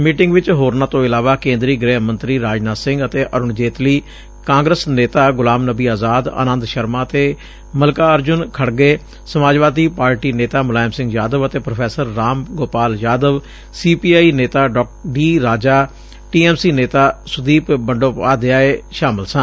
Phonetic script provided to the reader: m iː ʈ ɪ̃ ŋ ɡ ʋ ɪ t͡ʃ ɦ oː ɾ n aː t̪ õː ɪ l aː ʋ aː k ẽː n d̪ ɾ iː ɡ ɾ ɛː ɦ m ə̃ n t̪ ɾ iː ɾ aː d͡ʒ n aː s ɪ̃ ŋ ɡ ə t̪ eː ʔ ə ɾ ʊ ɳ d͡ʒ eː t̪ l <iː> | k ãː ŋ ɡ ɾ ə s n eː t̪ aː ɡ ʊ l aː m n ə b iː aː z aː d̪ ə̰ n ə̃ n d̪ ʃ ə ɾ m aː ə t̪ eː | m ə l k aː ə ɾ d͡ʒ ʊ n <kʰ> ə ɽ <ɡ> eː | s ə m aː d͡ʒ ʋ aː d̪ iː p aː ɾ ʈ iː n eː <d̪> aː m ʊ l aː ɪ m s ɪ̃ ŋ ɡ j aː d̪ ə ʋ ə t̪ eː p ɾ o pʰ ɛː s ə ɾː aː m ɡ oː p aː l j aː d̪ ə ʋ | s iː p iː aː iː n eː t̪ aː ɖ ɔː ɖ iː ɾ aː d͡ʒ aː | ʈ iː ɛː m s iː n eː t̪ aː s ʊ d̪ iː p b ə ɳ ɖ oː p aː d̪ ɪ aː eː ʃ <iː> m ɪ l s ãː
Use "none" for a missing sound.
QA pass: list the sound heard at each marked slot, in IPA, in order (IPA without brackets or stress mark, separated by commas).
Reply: iː, kʰ, ɡ, t̪, aː